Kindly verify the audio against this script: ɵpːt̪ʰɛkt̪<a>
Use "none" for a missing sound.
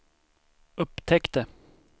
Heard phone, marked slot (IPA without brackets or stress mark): ə